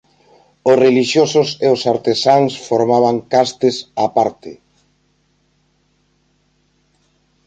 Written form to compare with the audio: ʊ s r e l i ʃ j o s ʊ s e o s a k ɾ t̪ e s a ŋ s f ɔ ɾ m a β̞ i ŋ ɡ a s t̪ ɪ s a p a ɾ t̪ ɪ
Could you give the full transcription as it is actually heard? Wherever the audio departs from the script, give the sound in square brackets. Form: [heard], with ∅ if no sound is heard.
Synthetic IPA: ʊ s r e l i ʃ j o s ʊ s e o s a [∅] ɾ t̪ e s a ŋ s f [o] ɾ m a β̞ [a] ŋ [k] a s t̪ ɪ s a p a ɾ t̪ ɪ